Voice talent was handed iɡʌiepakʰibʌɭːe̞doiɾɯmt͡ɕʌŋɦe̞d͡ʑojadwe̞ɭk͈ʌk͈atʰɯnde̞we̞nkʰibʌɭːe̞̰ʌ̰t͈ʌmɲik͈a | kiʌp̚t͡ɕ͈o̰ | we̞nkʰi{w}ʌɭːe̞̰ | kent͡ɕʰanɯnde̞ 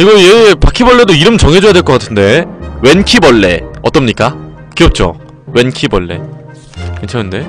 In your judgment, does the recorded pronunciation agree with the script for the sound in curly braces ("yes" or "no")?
no